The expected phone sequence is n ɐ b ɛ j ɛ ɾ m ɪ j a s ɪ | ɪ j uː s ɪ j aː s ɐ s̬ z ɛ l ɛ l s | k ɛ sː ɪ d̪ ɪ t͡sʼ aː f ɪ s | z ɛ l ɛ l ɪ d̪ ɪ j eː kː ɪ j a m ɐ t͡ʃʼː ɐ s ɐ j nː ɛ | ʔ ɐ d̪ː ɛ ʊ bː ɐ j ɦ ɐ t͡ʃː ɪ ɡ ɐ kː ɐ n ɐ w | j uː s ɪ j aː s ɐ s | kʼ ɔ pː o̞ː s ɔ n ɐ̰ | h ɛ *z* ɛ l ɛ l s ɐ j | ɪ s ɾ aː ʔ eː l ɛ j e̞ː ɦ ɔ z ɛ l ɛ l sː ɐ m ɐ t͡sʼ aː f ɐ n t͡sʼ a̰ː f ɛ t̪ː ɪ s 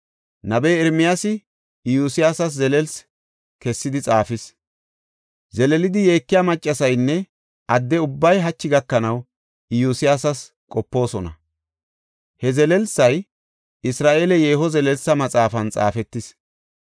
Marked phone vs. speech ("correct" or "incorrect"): correct